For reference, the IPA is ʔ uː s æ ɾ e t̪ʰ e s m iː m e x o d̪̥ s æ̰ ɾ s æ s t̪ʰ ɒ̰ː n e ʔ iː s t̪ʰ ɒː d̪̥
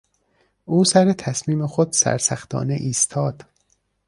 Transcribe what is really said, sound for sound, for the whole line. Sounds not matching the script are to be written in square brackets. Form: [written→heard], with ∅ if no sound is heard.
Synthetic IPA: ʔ uː s æ ɾ e t̪ʰ [e→æ] s m iː m e x o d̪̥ s æ̰ ɾ s æ [s→x] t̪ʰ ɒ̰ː n e ʔ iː s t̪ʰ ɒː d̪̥

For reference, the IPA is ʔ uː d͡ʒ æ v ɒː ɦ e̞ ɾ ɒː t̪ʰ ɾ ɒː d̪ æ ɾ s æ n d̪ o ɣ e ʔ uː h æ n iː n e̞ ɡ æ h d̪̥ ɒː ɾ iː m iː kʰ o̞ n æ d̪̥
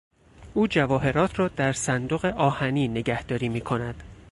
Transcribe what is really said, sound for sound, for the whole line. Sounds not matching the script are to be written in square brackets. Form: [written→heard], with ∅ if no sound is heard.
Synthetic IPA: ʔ uː d͡ʒ æ v ɒː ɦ e̞ ɾ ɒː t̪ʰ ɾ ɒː d̪ æ ɾ s æ n d̪ o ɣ e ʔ [uː→ɒː] h æ n iː n e̞ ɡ æ h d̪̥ ɒː ɾ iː m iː kʰ o̞ n æ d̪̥

